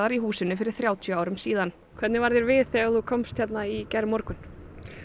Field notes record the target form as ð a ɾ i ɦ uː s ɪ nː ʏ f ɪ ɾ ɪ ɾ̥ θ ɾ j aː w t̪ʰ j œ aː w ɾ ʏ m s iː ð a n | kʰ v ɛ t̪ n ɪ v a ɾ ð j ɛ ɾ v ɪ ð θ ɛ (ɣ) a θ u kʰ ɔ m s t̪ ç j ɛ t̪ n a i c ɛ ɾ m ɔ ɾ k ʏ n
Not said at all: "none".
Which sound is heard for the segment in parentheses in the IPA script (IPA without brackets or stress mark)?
ɣ